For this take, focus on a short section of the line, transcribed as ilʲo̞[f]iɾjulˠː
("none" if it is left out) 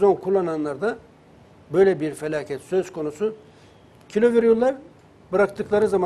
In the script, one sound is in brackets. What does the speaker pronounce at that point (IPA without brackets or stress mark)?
v